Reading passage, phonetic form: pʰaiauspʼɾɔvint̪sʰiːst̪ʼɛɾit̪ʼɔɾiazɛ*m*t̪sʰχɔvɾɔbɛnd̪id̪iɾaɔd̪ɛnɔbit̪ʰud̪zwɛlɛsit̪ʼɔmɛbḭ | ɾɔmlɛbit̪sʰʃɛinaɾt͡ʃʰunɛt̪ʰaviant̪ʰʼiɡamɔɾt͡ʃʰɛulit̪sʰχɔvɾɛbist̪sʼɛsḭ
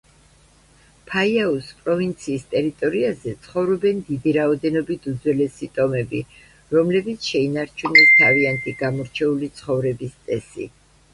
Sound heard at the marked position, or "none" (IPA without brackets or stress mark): none